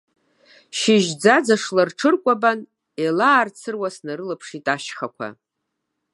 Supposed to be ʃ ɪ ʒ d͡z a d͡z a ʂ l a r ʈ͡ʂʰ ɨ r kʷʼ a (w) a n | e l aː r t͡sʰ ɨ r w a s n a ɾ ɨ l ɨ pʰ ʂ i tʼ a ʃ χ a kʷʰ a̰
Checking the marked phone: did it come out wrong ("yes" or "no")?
yes